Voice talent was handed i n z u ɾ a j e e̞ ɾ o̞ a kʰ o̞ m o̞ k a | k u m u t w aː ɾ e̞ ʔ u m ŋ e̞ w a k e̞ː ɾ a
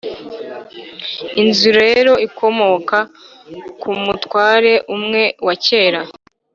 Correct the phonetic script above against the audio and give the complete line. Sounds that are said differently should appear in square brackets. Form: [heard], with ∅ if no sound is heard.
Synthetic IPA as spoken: i n z u ɾ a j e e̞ ɾ o̞ [i] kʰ o̞ m o̞ k a | k u m u t w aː ɾ e̞ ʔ u m ŋ e̞ w a [c] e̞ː ɾ a